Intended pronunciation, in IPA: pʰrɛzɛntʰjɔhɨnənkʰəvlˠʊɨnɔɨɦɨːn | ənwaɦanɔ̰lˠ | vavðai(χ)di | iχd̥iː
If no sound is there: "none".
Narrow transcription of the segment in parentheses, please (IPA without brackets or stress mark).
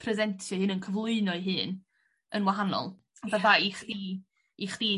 χ